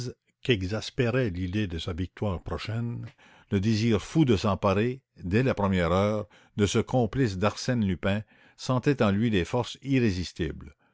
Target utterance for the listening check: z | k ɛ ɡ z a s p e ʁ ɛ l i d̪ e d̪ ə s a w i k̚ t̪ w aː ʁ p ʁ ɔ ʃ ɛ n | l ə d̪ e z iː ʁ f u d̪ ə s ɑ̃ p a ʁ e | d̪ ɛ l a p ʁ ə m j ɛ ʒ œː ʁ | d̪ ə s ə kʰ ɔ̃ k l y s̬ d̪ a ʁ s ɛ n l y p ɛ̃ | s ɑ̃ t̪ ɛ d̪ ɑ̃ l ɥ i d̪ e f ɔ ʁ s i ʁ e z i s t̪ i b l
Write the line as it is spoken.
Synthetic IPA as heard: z | k ɛ ɡ z a s p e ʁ ɛ l i d̪ e d̪ ə s a v i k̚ t̪ w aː ʁ p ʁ ɔ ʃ ɛ n | l ə d̪ e z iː ʁ f u d̪ ə s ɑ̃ p a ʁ e | d̪ ɛ l a p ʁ ə m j ɛ ʁ œː ʁ | d̪ ə s ə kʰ ɔ̃ p l i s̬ d̪ a ʁ s ɛ n l y p ɛ̃ | s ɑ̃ t̪ ɛ t̪ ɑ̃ l ɥ i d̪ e f ɔ ʁ s i ʁ e z i s t̪ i b l

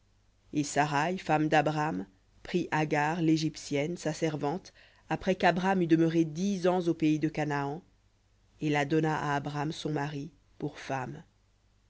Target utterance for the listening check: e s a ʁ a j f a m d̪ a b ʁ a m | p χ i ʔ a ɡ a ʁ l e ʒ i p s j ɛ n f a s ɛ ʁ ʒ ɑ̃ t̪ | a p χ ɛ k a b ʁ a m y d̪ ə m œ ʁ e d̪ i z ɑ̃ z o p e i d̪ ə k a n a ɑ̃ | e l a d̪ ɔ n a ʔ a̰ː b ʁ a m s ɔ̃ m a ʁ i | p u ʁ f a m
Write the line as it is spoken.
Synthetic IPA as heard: e s a ʁ a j f a m d̪ a b ʁ a m | p χ i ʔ a ɡ a ʁ l e ʒ i p s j ɛ n s a s ɛ ʁ v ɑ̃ t̪ | a p χ ɛ k a b ʁ a m y d̪ ə m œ ʁ e d̪ i z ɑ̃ z o p e i d̪ ə k a n a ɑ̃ | e l a d̪ ɔ n a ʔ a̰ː b ʁ a m s ɔ̃ m a ʁ i | p u ʁ f a m

